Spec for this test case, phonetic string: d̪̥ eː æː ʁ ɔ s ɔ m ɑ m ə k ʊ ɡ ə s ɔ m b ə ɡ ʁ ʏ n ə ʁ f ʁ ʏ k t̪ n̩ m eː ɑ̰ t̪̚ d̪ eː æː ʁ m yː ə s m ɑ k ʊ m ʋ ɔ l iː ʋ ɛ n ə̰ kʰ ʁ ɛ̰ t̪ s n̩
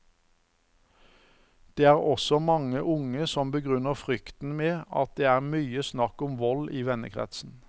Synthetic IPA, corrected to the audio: d̪̥ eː æː ʁ ɔ s ɔ m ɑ ŋ ə ʔ ʊ ŋ ə s ɔ m b ə ɡ ʁ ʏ n ə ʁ f ʁ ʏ k t̪ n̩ m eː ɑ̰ t̪̚ d̪ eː æː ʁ m yː ə s n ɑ k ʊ m ʋ ɔ l iː ʋ ɛ n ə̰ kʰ ʁ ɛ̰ t̪ s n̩

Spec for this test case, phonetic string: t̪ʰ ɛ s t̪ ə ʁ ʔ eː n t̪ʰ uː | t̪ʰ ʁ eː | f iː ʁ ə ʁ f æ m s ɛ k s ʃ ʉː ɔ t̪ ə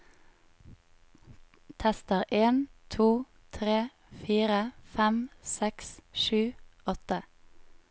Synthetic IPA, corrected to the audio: t̪ʰ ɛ s t̪ ə ʁ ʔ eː n t̪ʰ uː | t̪ʰ ʁ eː | f iː ʁ ə f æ m s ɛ k s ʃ ʉː ɔ t̪ ə

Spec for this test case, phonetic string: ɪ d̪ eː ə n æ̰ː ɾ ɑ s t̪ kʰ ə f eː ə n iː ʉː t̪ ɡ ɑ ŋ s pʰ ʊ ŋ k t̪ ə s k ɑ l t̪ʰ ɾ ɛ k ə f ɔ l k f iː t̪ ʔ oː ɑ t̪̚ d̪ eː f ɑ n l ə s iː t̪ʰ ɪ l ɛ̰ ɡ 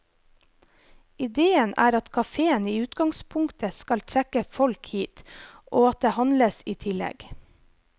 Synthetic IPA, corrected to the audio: ɪ d̪ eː ə n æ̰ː ɾ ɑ t̪ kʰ ɑ f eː ə n iː ʉː t̪ ɡ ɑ ŋ s pʰ ʊ ŋ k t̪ ə s k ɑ l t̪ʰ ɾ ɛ k ə f ɔ l k h iː t̪ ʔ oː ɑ t̪̚ d̪ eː h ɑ n l ə s iː t̪ʰ ɪ l ɛ̰ ɡ

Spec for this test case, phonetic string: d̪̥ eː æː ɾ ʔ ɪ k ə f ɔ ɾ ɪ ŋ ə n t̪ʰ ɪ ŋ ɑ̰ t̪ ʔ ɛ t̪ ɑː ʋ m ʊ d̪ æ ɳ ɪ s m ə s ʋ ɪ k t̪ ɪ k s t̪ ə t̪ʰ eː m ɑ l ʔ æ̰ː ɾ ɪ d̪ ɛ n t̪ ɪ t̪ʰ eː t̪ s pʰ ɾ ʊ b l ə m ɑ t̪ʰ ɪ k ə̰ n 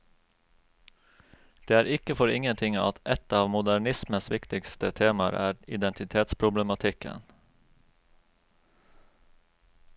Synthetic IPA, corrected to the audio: d̪̥ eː æː ɾ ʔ ɪ k ə f ɔ ɾ ɪ ŋ ə n t̪ʰ ɪ ŋ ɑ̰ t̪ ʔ ɛ t̪ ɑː ʋ m ʊ d̪ æ ɳ ɪ s m ə s ʋ ɪ k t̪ ɪ k s t̪ ə t̪ʰ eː m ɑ ɾ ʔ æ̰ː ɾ ɪ d̪ ɛ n t̪ ɪ t̪ʰ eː t̪ s pʰ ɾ ʊ b l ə m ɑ t̪ʰ ɪ k ə̰ n

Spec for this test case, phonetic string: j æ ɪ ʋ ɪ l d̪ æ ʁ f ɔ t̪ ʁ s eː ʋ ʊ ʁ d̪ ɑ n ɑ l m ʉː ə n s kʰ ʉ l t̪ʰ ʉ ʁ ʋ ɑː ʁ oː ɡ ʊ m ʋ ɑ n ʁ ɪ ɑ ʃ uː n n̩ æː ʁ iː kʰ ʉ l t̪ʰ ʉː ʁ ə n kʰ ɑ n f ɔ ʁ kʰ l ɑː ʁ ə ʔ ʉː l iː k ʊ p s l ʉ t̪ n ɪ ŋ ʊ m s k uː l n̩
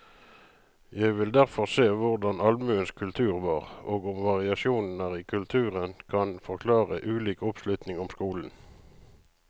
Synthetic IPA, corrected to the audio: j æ ɪ ʋ ɪ l d̪ æ ʁ f ɔ ʁ s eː ʋ ʊ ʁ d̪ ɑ n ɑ l m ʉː ə n s kʰ ʉ l t̪ʰ ʉː ʁ ʋ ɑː ʁ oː ɡ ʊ m ʋ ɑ ʁ ɪ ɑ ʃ uː n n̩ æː ʁ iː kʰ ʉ l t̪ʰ ʉː ʁ ə n kʰ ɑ n f ɔ ʁ kʰ l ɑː ʁ ə ʔ ʉː l iː k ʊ p s l ʉ t̪ n ɪ ŋ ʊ m s k uː l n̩

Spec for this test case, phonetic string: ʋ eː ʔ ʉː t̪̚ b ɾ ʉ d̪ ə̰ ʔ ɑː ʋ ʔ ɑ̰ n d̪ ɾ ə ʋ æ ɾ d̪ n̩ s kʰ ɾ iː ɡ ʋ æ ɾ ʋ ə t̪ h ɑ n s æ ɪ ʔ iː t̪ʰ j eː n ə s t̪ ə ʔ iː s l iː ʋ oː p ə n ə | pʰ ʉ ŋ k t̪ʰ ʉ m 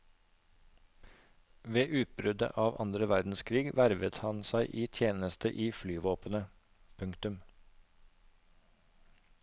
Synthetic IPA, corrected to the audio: ʋ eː ʔ ʉː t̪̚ b ɾ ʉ d̪ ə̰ ʔ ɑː ʋ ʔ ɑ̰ n d̪ ɾ ə ʋ æ ɾ d̪ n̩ s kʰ ɾ iː ɡ ʋ æ ɾ ʋ ə t̪ h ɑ n s æ ɪ ʔ iː t̪ʰ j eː n ə s t̪ ə ʔ iː f l yː ʋ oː p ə n ə | pʰ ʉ ŋ k t̪ ʉ m

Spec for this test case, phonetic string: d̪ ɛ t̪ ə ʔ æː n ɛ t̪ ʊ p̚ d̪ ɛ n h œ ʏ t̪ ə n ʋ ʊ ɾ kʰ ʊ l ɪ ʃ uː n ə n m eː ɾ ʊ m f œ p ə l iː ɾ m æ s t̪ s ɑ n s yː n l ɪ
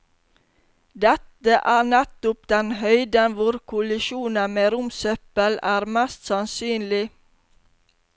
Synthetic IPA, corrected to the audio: d̪ ɛ t̪ ə ʔ æː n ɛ t̪ ʊ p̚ d̪ ɛ n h œ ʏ d̪ ə n ʋ ʊ ɾ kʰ ʊ l ɪ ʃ uː n ə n m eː ɾ ʊ m s œ p ə l æː ɾ m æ s t̪ s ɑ n s yː n l ɪ

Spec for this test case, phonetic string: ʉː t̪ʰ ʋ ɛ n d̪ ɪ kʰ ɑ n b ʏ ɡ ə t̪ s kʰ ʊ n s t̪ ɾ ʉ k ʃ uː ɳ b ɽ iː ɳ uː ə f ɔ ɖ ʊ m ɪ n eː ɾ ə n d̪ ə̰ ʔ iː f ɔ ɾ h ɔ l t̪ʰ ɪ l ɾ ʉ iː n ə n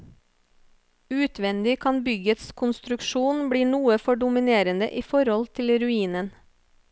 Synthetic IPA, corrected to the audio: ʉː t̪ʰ ʋ ɛ n d̪ ɪ kʰ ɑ n b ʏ ɡ ə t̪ s kʰ ʊ n s t̪ ɾ ʉ k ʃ uː n b ɽ iː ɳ uː ə f ɔ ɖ ʊ m ɪ n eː ɾ ə n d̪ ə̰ ʔ iː f ɔ ɾ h ɔ l t̪ʰ ɪ l ɾ ʉ iː n ə n

